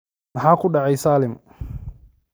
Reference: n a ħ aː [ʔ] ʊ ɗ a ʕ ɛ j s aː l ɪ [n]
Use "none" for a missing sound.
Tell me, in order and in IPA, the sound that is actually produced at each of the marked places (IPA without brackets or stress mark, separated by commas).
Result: k, m